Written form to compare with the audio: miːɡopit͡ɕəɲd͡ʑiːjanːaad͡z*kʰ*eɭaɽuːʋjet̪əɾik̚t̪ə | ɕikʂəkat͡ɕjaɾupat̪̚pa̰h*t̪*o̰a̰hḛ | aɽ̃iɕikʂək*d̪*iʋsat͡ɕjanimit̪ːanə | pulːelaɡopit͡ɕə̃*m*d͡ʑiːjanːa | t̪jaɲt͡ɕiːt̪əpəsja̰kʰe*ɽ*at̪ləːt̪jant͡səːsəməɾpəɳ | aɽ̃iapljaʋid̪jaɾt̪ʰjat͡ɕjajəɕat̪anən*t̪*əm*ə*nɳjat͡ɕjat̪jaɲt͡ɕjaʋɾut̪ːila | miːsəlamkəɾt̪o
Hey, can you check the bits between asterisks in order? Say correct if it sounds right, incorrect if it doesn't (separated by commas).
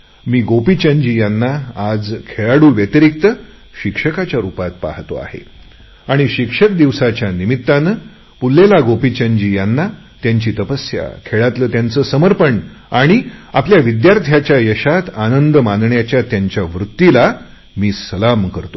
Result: correct, correct, correct, incorrect, incorrect, incorrect, incorrect